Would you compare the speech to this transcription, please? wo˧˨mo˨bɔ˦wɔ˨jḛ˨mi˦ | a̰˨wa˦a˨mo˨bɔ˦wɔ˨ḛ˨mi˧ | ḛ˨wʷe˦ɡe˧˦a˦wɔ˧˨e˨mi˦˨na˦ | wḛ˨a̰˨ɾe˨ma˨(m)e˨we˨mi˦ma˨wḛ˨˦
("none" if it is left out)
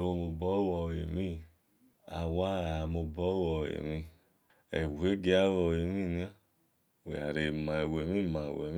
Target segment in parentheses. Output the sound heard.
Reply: none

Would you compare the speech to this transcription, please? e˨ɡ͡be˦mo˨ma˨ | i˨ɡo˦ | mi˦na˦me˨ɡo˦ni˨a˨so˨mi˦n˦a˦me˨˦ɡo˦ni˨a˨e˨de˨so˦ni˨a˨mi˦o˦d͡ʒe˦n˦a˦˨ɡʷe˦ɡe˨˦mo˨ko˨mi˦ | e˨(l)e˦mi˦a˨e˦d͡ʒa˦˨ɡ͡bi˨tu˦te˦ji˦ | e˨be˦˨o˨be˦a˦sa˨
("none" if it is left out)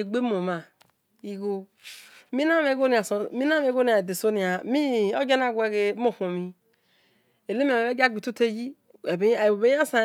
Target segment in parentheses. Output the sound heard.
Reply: l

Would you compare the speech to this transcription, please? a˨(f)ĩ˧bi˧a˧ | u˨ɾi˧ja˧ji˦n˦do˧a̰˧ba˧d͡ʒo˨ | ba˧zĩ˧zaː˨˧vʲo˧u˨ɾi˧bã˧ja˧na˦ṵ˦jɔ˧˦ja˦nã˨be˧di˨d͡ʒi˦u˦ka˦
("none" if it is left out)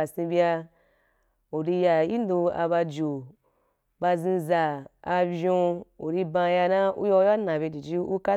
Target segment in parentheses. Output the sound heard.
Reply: s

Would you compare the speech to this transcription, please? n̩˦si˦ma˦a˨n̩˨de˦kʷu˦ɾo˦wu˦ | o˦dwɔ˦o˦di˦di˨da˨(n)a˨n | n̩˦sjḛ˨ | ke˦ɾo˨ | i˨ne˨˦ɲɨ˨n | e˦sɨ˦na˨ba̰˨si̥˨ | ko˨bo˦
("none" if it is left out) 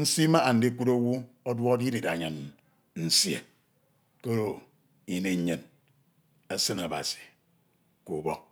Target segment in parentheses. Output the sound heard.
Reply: ɲ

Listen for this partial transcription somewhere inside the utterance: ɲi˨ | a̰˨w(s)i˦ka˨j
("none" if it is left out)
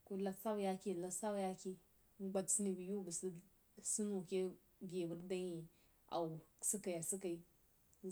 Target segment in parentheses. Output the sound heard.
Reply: s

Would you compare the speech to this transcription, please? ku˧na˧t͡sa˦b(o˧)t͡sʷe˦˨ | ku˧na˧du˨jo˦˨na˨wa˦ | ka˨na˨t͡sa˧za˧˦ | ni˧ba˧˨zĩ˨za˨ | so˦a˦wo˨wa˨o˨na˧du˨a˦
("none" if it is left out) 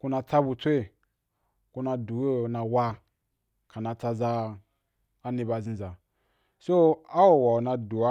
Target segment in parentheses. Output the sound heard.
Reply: u˧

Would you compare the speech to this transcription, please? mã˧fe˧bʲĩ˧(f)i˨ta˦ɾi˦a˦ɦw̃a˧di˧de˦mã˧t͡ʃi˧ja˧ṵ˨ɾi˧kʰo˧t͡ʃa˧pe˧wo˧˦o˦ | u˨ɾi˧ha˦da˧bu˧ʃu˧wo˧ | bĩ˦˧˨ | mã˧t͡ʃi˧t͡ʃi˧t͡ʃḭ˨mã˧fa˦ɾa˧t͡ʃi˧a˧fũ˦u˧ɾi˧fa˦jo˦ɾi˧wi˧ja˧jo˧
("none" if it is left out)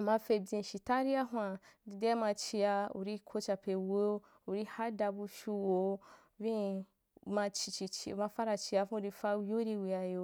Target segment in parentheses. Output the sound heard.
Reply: ʃ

